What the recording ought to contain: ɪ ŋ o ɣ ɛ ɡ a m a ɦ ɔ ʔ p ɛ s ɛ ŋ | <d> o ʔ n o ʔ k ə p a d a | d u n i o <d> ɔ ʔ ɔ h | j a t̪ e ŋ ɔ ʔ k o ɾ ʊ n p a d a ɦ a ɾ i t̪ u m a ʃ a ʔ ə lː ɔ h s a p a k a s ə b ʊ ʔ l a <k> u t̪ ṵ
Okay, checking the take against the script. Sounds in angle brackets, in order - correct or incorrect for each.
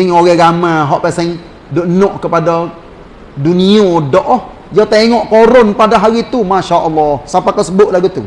correct, correct, incorrect

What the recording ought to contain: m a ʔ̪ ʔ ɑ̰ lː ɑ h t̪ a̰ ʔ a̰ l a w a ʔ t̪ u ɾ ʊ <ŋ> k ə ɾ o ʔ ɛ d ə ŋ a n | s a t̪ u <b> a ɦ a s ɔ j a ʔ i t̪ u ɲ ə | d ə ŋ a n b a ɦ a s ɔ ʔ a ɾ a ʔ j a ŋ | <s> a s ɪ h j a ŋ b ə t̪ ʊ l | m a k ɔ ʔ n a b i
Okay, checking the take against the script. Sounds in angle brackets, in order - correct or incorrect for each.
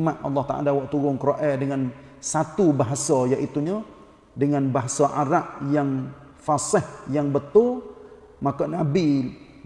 correct, correct, incorrect

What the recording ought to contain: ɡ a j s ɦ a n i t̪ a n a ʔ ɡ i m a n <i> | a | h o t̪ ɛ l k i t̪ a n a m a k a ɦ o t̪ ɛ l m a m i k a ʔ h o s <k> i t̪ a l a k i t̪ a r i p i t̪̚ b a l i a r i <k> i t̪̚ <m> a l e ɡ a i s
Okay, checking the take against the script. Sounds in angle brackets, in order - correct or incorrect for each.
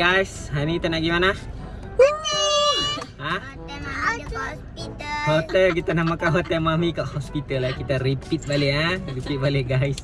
incorrect, incorrect, incorrect, incorrect

